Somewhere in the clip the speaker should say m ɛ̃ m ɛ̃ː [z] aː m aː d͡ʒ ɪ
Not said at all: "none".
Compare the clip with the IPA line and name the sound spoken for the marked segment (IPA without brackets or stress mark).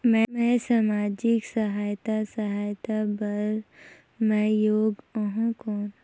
s